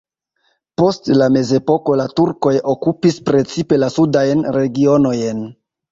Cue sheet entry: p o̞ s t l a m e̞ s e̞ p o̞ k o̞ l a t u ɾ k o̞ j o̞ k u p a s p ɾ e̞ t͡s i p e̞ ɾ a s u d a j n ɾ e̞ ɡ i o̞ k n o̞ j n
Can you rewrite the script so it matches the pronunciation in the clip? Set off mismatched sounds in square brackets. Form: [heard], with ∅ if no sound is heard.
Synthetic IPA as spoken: p o̞ s t l a m e̞ [z] e̞ p o̞ k o̞ l a t u ɾ k o̞ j o̞ k u p [i] s p ɾ e̞ t͡s i p e̞ [l] a s u d a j n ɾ e̞ ɡ i o̞ [∅] n o̞ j n